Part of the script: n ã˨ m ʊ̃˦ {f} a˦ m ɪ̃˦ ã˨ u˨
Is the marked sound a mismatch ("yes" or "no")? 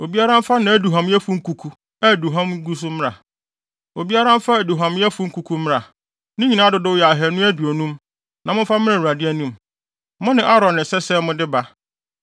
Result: no